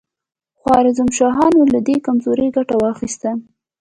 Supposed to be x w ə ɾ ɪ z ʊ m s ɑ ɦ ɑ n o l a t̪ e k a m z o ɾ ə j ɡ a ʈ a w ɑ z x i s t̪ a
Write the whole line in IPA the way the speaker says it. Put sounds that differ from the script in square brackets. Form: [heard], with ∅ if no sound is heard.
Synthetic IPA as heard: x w [ɑ] ɾ ɪ z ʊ m [ʃ] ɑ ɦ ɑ n o l a [d̪] e k a m z o ɾ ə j ɡ a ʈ a w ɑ [∅] x i s t̪ a